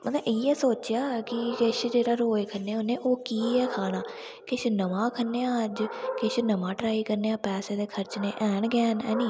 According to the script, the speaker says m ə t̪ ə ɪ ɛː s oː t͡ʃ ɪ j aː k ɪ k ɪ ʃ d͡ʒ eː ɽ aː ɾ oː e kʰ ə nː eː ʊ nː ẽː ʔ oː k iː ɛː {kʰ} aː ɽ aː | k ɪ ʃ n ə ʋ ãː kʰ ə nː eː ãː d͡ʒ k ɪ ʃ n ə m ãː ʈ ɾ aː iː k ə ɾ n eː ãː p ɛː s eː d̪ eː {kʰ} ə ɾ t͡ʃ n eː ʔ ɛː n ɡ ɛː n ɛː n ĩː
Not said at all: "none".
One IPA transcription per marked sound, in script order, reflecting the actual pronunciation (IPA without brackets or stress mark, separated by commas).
kʰ, kʰ